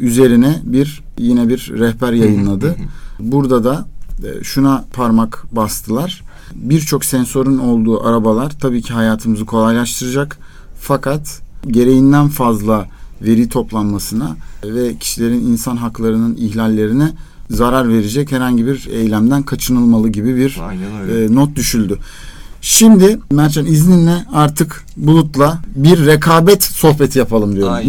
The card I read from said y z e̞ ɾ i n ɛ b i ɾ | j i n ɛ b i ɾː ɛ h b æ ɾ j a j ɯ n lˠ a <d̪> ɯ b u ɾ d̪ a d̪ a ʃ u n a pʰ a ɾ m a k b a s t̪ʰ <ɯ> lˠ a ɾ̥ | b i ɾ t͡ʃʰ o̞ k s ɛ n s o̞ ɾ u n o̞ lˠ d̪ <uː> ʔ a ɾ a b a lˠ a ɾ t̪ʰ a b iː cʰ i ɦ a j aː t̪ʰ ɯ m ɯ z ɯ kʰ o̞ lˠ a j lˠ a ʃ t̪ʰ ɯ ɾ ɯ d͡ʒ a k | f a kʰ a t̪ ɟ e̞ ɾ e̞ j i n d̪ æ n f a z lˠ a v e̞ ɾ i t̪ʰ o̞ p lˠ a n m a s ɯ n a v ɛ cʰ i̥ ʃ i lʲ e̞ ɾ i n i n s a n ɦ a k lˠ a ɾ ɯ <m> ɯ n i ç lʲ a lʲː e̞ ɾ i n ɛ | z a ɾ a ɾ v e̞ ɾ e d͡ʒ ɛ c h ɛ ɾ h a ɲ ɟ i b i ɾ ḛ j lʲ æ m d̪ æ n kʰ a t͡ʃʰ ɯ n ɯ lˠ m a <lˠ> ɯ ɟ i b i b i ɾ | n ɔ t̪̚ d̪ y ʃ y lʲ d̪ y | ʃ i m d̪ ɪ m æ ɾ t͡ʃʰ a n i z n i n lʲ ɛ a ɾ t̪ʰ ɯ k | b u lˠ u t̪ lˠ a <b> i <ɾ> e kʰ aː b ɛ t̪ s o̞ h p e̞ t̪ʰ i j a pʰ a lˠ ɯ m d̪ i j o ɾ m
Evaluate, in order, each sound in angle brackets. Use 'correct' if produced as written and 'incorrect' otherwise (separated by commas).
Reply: correct, correct, correct, incorrect, correct, correct, incorrect